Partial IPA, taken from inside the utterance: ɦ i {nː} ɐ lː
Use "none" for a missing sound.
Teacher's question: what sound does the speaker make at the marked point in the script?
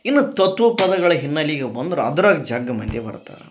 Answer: nː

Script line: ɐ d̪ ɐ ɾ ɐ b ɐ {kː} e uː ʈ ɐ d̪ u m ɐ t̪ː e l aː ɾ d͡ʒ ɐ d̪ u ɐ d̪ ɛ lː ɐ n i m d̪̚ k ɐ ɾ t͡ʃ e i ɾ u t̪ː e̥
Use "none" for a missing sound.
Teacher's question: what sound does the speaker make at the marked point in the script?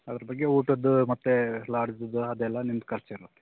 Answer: ɡː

